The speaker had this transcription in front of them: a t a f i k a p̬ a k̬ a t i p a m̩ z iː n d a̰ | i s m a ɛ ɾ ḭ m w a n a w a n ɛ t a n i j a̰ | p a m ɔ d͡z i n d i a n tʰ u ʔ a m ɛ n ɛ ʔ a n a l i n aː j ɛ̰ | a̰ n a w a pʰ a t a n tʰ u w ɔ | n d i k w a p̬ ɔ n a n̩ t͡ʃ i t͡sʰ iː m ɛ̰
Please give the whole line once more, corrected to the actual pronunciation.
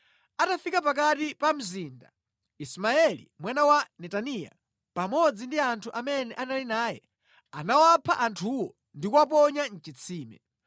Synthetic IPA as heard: a t a f i k a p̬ a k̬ a t i p a m̩ z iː n d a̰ | i s m a ɛ l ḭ m w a n a w a n ɛ t a n i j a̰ | p a m ɔ d͡z i n d i a n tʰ u ʔ a m ɛ n ɛ ʔ a n a l i n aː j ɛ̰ | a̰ n a w a pʰ a ʔ a n tʰ u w ɔ | n d i k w a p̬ ɔ ɲ a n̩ t͡ʃ i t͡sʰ iː m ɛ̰